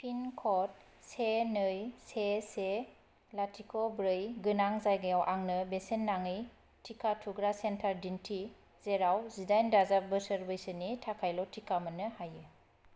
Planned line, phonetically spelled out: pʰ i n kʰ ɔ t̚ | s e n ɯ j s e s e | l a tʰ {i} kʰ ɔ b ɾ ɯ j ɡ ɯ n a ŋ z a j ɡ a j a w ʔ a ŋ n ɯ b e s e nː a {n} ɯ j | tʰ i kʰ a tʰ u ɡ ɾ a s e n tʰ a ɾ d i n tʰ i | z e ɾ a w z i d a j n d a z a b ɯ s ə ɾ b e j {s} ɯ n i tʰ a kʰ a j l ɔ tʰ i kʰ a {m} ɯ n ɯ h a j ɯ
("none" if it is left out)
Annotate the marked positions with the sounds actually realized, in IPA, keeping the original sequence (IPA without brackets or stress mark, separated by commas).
i, ŋ, s, m